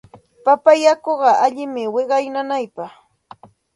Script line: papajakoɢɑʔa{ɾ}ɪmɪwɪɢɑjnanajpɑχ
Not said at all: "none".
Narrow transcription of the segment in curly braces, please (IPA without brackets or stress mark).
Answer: ʎ